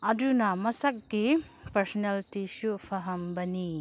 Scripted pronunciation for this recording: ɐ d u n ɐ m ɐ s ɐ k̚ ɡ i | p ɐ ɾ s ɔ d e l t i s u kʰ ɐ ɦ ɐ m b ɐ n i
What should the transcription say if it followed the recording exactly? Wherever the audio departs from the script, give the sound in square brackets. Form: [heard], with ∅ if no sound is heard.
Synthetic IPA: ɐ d u n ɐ m ɐ s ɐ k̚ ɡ i | p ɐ ɾ s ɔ [n] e l t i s u [pʰ] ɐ ɦ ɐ m b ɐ n i